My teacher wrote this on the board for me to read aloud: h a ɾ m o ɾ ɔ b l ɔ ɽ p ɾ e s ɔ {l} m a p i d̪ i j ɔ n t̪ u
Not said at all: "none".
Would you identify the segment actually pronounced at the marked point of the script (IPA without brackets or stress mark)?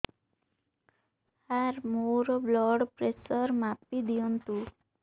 ɾ